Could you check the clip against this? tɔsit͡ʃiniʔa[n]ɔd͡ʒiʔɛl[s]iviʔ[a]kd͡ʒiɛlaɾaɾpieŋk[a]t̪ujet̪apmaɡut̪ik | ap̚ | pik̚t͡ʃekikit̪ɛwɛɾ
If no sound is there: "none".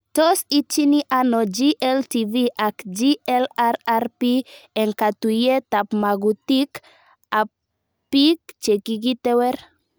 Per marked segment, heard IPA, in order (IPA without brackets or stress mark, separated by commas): n, t, a, a